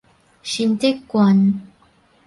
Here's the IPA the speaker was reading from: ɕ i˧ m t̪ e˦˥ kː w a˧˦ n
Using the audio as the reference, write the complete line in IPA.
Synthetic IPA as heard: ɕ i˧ n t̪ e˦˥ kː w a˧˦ n